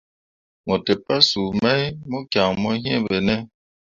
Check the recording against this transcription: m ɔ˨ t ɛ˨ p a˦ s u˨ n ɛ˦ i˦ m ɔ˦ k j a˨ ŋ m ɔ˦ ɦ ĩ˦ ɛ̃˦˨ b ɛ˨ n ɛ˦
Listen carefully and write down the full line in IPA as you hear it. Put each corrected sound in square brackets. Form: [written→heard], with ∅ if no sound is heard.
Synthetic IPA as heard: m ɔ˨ t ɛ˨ p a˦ s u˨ [n→m] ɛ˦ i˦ m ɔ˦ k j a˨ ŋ m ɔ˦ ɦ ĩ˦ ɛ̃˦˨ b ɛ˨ n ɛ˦